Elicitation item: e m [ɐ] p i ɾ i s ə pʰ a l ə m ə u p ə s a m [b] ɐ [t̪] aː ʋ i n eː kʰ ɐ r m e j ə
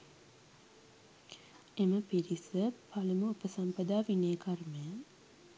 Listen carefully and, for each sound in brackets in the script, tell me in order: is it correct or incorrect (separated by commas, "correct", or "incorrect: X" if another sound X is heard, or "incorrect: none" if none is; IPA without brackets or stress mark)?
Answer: incorrect: ə, incorrect: p, incorrect: d̪